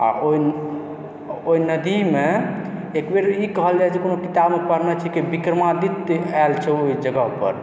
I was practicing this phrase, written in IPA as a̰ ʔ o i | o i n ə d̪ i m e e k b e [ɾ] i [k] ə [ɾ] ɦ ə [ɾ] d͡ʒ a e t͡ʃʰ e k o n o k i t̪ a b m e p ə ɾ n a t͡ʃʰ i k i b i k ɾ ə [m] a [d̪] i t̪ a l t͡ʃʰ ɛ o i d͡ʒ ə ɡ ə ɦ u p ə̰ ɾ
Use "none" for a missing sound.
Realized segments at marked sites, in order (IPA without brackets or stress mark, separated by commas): ɾ, k, none, l, m, d̪